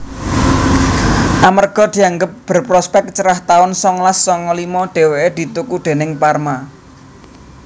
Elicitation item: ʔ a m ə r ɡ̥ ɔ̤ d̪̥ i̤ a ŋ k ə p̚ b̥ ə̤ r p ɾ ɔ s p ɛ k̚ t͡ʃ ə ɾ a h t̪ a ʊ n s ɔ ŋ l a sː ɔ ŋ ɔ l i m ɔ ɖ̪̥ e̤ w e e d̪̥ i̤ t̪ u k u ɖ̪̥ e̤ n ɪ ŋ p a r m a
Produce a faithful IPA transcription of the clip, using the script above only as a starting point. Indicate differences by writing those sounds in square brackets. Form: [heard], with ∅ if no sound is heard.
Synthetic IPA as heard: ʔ a m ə r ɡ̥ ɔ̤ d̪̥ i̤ a ŋ [ɡ] ə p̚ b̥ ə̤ r p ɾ ɔ s p ɛ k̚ t͡ʃ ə ɾ a h t̪ a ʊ n s ɔ ŋ l a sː ɔ ŋ ɔ l i m ɔ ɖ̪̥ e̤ w e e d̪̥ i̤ t̪ u k u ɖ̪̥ e̤ n ɪ ŋ p a r m a